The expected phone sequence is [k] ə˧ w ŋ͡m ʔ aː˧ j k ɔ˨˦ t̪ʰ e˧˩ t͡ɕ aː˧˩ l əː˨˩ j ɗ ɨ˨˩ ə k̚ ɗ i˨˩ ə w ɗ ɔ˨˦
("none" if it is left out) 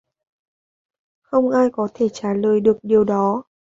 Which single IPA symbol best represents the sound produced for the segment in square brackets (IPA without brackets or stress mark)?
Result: x